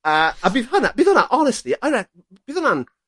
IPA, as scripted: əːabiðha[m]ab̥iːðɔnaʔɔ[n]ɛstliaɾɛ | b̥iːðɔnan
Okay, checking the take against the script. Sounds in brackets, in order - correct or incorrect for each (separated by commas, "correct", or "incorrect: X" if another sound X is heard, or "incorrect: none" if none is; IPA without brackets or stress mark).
incorrect: n, correct